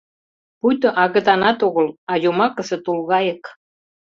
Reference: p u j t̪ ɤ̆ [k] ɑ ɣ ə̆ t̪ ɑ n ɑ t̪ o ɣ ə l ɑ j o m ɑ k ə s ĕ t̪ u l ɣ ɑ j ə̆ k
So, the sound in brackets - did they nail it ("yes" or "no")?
no